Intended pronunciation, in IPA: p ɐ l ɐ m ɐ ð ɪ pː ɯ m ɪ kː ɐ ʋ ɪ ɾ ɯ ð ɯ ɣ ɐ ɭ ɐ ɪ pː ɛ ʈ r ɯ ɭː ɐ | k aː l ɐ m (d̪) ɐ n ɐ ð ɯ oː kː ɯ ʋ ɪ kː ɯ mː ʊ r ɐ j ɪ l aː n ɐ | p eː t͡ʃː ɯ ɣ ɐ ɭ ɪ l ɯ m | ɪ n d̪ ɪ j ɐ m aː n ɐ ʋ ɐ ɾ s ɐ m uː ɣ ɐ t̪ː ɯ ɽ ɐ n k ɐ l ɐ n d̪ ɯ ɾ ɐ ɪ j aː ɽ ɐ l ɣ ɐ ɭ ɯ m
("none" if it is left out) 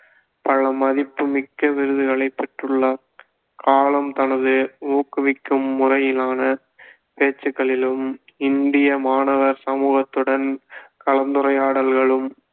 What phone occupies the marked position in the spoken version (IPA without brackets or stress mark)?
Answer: t̪